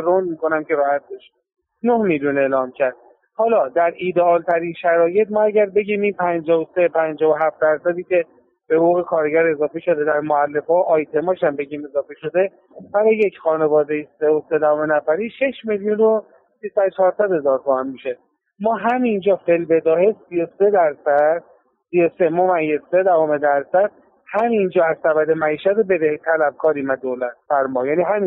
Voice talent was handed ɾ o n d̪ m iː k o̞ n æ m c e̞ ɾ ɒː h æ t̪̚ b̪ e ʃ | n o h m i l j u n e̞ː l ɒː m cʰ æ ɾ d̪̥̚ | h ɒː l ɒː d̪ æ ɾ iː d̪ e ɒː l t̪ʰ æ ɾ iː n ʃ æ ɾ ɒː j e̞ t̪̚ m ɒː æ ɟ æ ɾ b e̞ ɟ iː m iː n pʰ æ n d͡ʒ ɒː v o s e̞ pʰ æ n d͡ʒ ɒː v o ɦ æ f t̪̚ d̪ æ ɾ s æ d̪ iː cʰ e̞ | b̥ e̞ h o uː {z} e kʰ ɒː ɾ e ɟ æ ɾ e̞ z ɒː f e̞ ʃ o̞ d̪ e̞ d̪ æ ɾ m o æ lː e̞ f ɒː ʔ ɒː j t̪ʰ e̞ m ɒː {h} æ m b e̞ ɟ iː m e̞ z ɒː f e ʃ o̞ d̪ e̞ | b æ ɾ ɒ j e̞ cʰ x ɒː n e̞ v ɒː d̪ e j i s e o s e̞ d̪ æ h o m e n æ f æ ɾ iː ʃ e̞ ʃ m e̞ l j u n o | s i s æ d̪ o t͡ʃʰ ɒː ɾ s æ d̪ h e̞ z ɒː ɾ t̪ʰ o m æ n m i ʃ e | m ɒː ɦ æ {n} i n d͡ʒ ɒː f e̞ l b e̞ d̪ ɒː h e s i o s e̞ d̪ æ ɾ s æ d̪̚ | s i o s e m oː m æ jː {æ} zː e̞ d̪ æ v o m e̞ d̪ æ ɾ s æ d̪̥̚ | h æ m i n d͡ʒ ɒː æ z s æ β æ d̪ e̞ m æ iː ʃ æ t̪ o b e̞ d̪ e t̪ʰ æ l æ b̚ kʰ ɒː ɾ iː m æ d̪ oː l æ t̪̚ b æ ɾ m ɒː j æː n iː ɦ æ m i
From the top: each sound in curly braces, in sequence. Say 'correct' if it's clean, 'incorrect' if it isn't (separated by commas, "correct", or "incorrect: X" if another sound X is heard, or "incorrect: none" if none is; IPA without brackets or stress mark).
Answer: incorrect: ɣ, incorrect: ʃ, incorrect: m, incorrect: e